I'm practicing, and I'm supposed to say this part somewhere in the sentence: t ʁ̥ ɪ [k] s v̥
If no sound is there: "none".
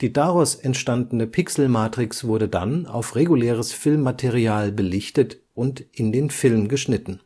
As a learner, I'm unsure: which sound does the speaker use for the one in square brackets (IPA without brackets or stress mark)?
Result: k